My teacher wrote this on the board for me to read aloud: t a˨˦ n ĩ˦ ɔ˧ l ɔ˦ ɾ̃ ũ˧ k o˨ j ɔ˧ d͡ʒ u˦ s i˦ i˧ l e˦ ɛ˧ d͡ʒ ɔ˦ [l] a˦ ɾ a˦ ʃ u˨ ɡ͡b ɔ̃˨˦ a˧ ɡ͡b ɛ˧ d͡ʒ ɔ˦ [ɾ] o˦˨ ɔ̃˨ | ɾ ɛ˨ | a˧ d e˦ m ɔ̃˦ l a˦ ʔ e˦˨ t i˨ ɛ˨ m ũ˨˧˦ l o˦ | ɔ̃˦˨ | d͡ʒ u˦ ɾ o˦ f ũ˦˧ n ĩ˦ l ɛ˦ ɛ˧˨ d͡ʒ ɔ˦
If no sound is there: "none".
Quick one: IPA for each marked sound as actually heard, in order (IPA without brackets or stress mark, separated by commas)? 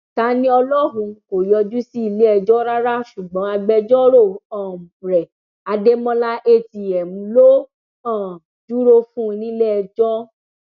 ɾ, ɾ